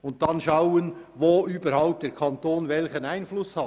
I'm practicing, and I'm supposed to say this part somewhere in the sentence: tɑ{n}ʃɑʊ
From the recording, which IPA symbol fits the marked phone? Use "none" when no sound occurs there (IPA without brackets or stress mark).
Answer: n